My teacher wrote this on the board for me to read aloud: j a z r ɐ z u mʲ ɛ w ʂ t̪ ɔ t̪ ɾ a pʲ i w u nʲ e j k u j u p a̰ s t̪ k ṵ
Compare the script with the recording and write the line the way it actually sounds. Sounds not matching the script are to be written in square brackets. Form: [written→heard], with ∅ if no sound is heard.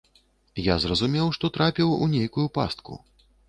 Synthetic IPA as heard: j a z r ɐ z u mʲ ɛ w ʂ t̪ ɔ t̪ ɾ a pʲ i w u nʲ e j k u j u p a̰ s t̪ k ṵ